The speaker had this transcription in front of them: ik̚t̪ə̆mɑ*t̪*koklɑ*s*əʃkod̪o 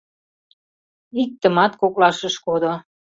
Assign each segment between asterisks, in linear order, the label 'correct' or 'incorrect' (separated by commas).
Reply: correct, incorrect